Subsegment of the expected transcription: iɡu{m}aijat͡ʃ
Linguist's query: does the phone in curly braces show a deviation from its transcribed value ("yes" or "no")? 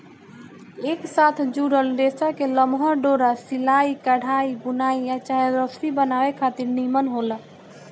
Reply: yes